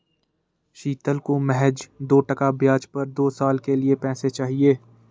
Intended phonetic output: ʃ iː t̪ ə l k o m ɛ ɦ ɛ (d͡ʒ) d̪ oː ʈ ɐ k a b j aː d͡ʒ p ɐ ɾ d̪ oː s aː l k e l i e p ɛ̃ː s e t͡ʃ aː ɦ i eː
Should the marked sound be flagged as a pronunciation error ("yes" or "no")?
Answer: no